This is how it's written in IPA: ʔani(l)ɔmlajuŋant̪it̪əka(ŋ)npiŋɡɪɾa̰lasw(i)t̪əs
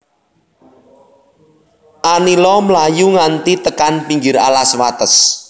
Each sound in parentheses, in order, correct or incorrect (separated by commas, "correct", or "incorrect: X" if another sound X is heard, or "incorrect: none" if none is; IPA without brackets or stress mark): correct, incorrect: none, incorrect: a